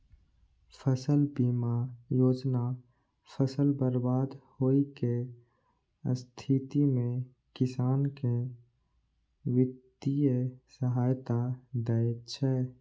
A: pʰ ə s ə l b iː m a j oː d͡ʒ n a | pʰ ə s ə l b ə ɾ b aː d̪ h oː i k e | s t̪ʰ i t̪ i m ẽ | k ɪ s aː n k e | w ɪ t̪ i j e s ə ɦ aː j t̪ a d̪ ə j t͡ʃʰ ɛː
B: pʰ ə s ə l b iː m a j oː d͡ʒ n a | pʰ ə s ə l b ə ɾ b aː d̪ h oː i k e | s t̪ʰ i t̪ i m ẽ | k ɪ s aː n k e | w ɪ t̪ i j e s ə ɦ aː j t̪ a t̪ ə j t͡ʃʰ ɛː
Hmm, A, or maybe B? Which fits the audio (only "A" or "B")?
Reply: A